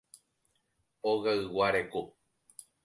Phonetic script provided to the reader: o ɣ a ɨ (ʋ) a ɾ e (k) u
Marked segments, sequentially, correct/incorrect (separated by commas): incorrect, correct